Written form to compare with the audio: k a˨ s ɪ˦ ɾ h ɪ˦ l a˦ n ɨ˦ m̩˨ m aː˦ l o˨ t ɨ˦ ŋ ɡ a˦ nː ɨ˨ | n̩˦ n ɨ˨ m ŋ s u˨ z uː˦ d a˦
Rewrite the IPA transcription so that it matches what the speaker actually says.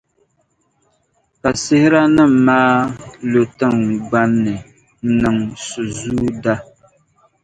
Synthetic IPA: k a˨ s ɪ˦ h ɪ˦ ɾ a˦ n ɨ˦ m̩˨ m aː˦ l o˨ t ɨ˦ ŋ ɡ͡b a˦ nː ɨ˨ | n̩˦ n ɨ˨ ŋ s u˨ z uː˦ d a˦

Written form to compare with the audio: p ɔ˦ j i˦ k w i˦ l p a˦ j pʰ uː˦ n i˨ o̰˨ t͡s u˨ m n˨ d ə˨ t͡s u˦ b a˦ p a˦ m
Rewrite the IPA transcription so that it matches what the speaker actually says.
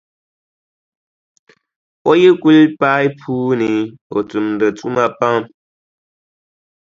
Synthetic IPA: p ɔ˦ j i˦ k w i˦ l p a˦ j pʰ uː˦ n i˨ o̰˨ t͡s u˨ m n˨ d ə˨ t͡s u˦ m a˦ p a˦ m

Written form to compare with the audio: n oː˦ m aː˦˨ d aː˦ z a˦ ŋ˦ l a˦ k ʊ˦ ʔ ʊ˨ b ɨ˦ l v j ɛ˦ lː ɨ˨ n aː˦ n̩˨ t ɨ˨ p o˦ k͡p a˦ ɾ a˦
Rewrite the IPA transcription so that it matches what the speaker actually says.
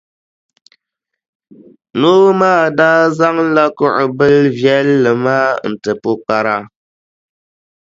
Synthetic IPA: n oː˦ m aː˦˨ d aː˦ z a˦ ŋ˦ l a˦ k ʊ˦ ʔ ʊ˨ b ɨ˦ l v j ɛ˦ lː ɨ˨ m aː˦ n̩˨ t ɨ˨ p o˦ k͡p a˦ ɾ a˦

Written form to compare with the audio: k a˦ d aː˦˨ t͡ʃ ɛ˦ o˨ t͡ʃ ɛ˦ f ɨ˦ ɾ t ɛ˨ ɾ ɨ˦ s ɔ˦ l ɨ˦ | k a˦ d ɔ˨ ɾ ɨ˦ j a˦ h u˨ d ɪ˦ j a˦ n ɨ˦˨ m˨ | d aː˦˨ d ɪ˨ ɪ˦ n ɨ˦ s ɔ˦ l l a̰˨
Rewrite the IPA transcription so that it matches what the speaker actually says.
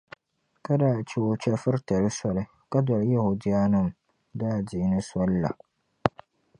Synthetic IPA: k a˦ d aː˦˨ t͡ʃ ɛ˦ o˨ t͡ʃ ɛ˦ f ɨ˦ ɾ t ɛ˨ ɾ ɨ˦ s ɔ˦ l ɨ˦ | k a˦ d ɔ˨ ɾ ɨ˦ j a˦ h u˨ d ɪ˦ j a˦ n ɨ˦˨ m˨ | d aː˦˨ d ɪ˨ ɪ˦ n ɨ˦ s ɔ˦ l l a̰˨

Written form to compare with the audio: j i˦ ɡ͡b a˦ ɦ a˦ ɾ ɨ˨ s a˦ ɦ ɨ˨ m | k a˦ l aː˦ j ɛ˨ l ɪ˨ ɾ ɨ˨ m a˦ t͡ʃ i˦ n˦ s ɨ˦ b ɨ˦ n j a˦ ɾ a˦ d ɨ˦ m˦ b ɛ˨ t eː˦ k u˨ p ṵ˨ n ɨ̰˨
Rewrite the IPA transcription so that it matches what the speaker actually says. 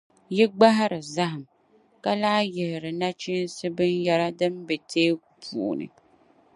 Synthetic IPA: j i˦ ɡ͡b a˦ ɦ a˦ ɾ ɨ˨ z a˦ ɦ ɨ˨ m | k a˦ l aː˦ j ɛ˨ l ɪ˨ ɾ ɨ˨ n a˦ t͡ʃ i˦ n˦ s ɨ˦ b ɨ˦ n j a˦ ɾ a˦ d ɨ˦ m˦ b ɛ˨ t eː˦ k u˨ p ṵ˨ n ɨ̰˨

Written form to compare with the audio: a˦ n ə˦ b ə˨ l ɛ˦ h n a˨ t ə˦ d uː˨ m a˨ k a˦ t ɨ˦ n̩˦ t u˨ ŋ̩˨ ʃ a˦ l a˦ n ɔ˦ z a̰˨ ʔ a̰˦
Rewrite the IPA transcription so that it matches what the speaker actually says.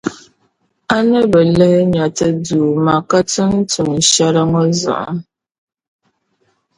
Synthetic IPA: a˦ n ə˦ b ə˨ l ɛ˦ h ɲ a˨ t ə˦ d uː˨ m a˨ k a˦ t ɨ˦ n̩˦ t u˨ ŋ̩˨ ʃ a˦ ɾ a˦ ŋ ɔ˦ z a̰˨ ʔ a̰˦

